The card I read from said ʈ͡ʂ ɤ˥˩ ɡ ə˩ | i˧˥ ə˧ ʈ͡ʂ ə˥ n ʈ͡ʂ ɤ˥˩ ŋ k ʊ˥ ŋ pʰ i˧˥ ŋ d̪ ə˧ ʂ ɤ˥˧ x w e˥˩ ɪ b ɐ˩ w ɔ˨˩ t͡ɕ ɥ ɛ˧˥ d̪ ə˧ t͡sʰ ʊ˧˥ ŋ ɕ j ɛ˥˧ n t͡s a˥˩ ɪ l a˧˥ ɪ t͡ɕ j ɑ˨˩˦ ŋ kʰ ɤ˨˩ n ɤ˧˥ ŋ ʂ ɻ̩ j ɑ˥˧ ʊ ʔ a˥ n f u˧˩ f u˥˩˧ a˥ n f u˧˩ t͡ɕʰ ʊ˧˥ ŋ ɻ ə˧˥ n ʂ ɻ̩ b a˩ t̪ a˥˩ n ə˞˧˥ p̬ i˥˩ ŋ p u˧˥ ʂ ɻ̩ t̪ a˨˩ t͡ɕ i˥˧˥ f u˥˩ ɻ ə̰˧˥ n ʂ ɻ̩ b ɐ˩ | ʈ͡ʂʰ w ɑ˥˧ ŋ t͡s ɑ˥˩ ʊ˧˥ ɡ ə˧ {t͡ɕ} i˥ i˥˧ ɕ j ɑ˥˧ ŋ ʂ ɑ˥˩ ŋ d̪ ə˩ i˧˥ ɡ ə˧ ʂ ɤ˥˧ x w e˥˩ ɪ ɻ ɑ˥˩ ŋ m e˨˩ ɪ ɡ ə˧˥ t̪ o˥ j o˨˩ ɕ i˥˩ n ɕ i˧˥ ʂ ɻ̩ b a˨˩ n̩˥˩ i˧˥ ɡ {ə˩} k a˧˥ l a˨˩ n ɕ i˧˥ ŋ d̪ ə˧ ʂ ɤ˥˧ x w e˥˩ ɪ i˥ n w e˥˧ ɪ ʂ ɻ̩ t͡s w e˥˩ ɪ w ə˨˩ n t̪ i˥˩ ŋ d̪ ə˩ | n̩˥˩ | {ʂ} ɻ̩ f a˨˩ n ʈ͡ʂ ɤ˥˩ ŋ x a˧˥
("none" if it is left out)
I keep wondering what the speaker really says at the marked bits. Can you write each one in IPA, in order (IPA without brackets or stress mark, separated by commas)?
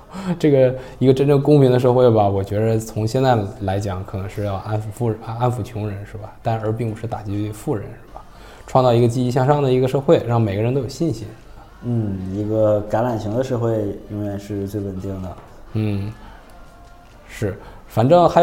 t͡ɕ, ə˧, ʂ